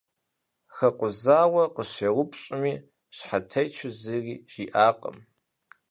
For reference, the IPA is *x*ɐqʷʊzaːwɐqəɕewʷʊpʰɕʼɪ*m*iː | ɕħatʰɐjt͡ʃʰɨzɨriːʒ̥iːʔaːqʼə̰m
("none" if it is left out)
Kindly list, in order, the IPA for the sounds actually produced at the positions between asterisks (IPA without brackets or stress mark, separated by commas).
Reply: x, m